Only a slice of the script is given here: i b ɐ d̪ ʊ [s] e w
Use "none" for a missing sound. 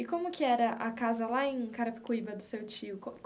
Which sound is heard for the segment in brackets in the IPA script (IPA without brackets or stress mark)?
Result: s